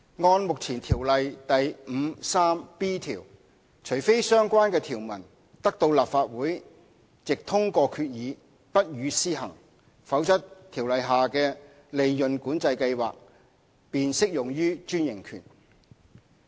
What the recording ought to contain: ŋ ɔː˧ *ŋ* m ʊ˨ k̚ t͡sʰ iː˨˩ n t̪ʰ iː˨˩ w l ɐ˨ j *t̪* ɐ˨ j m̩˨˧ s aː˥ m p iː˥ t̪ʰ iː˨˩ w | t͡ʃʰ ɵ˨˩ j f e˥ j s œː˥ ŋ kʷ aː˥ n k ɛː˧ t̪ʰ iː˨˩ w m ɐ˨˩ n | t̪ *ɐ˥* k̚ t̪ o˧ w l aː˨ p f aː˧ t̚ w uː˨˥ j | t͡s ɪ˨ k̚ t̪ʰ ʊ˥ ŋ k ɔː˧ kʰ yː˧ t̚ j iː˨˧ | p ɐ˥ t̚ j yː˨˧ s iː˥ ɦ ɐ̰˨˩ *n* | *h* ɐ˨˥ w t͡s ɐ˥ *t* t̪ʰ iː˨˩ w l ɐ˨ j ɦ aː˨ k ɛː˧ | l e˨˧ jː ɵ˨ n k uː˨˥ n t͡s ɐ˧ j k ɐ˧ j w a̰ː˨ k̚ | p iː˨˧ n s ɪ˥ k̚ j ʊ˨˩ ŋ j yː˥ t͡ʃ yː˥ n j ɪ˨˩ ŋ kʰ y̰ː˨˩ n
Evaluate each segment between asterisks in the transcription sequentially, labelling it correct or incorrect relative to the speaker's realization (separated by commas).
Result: incorrect, correct, correct, incorrect, incorrect, correct